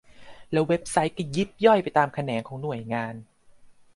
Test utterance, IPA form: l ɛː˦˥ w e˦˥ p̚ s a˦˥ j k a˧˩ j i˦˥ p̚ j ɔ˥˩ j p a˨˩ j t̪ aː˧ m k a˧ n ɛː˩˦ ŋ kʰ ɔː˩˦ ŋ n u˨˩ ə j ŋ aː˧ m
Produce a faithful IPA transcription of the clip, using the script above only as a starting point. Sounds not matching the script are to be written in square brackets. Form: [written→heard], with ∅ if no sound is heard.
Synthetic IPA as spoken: l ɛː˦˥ w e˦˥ p̚ s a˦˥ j k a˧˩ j i˦˥ p̚ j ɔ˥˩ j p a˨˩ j t̪ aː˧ m [k→kʰ] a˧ n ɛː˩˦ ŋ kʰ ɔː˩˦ ŋ n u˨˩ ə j ŋ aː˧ [m→n]